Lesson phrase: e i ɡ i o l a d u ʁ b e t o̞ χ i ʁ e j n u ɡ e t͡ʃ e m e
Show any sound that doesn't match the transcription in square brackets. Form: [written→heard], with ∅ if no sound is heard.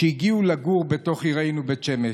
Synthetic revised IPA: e i ɡ i [o→u] l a [d→ɡ] u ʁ b e t o̞ χ i ʁ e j n u [ɡ→b] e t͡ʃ e m e